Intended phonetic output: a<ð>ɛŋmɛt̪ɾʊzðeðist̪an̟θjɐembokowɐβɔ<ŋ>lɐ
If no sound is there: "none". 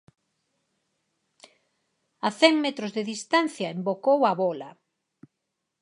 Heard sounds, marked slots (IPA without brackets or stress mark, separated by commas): θ, none